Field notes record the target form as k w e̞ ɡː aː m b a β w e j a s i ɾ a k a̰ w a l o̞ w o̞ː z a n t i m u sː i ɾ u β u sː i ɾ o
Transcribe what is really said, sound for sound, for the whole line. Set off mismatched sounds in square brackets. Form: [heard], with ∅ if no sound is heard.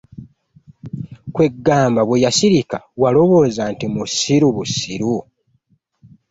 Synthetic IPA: k w e̞ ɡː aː m b a β w e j a s i ɾ [i] k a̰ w a l o̞ [β] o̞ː z a n t i m u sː i ɾ u β u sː i ɾ [u]